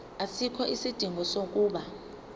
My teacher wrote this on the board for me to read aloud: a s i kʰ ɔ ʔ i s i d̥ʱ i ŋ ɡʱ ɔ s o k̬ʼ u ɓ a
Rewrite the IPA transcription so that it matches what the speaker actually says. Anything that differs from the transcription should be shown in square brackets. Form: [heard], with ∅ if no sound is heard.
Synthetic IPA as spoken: a s i kʰ ɔ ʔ i s i d̥ʱ i ŋ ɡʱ ɔ s o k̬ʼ [uː] ɓ a